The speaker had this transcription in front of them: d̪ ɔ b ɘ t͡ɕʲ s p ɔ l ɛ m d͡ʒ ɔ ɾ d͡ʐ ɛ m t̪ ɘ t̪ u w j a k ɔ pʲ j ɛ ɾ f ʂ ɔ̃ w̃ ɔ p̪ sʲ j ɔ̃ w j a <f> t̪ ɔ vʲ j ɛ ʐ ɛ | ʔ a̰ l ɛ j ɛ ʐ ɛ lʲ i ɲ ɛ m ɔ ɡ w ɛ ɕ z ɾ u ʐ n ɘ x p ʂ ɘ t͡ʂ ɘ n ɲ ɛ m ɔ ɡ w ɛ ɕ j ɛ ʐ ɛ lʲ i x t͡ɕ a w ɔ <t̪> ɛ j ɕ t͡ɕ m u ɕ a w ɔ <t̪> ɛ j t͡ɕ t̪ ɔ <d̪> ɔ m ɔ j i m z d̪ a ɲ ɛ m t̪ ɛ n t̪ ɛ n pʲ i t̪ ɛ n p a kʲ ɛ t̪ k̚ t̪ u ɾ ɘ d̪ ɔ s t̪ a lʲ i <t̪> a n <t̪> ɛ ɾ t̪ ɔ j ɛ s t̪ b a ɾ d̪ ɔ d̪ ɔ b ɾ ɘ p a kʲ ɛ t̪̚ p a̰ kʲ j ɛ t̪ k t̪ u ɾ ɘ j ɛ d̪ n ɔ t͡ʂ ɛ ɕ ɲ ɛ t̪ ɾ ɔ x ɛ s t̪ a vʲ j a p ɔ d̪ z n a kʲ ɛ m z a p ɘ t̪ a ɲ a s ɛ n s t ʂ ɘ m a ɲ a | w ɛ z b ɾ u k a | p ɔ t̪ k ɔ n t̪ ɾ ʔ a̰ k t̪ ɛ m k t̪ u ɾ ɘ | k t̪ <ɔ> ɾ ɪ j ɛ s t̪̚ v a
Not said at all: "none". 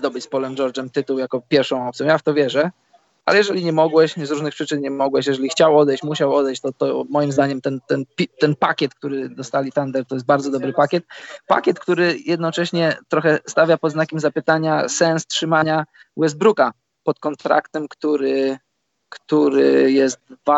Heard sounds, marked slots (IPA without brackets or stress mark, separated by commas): f, d̪, d̪, t̪, t̪, d̪, u